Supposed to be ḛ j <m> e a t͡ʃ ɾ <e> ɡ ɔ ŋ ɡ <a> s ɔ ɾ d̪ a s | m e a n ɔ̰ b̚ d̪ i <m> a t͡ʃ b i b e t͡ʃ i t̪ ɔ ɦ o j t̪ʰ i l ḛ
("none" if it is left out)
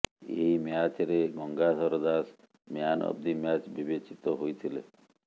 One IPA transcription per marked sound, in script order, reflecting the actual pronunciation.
m, e, a, m

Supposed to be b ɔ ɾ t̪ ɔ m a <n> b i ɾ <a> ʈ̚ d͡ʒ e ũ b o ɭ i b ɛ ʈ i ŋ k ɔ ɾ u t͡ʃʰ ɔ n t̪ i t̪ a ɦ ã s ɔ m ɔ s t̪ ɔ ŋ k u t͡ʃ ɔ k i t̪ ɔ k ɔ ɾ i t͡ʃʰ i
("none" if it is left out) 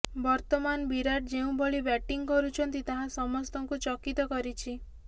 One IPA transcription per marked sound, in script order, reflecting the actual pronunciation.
n, a

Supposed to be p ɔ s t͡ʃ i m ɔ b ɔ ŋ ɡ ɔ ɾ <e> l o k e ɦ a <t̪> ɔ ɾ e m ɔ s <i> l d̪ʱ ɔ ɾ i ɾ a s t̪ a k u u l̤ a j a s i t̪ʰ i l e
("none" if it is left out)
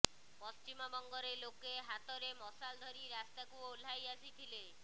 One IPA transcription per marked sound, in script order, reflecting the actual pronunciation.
e, t̪, a

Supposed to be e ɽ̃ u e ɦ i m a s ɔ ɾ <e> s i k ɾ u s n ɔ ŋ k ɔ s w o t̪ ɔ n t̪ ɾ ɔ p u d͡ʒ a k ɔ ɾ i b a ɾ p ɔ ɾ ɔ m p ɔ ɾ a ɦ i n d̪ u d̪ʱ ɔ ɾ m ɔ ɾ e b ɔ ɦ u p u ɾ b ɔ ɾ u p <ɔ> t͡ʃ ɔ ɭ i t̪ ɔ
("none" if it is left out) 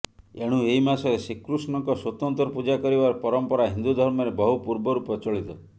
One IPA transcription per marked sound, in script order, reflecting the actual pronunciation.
e, ɔ

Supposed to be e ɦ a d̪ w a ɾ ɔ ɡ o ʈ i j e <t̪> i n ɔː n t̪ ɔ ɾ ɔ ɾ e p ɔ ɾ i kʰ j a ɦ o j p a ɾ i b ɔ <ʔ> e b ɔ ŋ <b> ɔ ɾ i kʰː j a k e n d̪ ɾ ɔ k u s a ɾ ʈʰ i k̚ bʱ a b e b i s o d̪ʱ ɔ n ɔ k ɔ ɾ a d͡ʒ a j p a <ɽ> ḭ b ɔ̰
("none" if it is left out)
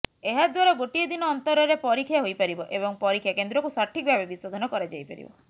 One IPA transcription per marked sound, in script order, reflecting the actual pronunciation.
d̪, ʔ, p, ɾ

